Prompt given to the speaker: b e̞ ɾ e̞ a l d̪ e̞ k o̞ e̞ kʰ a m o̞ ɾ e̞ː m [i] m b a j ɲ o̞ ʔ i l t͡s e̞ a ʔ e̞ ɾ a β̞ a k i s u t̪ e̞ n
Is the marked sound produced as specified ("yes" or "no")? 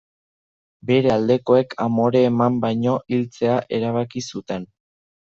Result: no